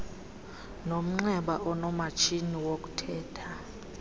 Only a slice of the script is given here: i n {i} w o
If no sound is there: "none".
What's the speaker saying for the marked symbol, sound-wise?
i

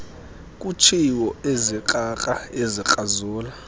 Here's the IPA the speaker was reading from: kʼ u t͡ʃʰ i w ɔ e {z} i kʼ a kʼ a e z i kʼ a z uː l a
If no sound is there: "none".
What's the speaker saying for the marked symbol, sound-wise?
z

